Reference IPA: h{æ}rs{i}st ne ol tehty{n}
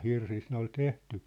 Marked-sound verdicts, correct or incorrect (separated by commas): incorrect, correct, incorrect